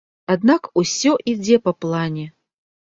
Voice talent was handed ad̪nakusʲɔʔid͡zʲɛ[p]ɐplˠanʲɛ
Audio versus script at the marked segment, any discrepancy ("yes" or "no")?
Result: no